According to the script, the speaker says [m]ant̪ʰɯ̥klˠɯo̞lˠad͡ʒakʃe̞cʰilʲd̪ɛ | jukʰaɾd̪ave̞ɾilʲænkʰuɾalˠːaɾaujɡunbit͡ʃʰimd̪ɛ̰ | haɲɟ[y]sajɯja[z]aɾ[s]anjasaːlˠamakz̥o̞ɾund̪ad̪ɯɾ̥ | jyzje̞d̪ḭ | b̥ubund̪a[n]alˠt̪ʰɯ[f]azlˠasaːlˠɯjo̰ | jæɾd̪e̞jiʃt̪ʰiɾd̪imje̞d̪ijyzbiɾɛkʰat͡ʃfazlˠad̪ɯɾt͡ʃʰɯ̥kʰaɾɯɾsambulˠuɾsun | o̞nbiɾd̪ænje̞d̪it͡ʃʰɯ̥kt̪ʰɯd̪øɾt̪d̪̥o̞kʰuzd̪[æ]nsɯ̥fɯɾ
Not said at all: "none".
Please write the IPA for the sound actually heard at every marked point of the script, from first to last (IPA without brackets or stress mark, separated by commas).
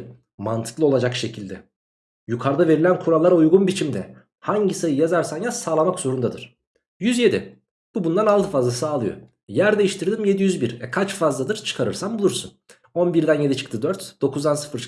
m, i, z, s, n, f, a